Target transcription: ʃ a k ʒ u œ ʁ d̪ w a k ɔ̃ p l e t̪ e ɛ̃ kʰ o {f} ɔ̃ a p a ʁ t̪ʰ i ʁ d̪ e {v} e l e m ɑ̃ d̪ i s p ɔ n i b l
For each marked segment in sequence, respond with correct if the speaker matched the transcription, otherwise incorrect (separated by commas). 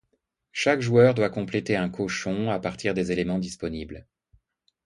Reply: incorrect, incorrect